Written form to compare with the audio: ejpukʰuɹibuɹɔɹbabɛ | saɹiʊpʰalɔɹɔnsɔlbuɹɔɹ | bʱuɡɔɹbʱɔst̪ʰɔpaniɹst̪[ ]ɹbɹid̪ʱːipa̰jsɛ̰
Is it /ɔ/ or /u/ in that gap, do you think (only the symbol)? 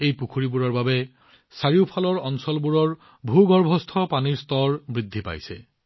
ɔ